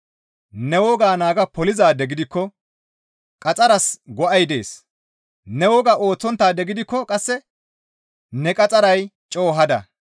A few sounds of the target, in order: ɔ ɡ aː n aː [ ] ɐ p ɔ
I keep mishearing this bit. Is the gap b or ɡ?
ɡ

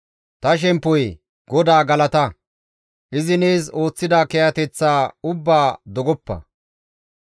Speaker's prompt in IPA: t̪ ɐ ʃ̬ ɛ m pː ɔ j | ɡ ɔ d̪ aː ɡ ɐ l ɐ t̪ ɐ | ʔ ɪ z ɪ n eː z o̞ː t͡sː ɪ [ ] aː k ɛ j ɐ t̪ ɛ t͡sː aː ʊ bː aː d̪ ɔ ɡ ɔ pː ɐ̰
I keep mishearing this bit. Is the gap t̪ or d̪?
d̪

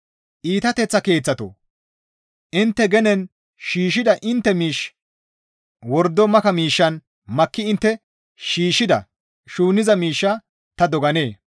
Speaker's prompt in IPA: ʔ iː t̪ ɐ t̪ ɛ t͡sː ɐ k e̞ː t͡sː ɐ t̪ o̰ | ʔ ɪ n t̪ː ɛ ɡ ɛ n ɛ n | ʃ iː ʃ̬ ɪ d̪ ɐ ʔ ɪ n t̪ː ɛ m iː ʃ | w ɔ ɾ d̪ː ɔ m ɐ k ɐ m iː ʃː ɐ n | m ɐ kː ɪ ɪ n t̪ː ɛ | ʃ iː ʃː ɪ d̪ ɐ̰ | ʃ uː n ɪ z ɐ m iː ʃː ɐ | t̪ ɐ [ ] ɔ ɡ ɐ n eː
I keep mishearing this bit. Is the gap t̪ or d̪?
d̪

